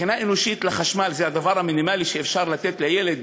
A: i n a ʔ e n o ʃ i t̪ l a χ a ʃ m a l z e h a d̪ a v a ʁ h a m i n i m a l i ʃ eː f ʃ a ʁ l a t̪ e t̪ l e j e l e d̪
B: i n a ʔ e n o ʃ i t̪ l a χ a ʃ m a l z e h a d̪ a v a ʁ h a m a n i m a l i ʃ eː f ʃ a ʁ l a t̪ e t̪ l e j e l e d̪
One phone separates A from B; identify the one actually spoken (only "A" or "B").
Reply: A